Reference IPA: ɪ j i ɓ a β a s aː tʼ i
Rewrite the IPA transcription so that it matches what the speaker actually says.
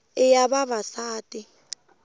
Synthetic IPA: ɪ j a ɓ a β a s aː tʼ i